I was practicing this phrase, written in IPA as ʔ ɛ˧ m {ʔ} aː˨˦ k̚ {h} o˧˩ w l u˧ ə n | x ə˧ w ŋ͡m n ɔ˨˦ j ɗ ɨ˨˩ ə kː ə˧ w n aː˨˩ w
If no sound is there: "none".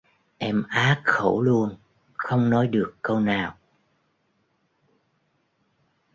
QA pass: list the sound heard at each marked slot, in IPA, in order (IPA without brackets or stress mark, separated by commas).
ʔ, x